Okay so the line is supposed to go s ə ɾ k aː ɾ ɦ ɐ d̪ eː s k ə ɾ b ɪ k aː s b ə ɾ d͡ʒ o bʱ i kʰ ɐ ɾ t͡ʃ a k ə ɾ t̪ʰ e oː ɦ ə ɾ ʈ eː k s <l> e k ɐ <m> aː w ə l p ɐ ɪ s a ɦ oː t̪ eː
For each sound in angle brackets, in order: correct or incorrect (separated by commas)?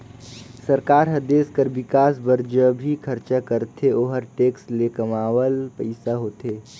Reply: correct, correct